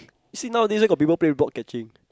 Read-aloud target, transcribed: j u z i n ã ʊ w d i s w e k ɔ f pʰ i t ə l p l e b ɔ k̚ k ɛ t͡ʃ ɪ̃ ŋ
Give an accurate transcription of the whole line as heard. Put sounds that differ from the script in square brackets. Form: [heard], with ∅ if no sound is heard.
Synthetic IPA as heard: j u [s] i n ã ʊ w d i s w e k ɔ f [p] i [p] ə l p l e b ɔ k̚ k ɛ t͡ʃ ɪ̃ ŋ